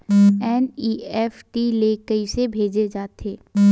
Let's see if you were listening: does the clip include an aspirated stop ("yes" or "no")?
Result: no